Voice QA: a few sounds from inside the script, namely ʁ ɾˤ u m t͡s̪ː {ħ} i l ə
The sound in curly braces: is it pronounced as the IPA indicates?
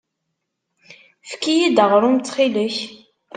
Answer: no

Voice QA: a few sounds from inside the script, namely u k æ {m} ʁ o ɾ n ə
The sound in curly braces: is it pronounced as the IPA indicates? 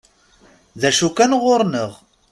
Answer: no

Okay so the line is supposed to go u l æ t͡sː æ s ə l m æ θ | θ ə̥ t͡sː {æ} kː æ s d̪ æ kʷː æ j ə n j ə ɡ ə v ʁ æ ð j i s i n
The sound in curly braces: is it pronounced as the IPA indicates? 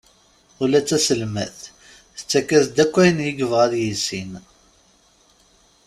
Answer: yes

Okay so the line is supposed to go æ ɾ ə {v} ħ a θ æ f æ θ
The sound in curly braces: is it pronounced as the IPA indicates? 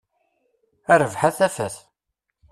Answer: yes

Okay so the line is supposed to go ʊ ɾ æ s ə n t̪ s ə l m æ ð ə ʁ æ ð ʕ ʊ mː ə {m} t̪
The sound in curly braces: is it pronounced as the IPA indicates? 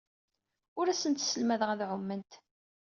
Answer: no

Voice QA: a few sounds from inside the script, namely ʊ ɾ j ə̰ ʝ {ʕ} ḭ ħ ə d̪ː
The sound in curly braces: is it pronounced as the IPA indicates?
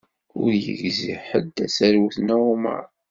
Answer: no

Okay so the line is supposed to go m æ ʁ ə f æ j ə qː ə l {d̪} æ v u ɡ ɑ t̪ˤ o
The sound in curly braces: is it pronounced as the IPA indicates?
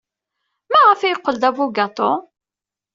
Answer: yes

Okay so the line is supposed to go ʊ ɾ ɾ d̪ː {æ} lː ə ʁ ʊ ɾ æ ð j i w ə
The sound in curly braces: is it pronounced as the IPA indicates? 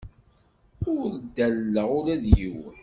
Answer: yes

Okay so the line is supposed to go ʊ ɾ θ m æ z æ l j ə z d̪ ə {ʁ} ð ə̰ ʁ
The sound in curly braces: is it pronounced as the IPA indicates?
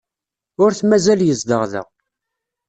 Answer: yes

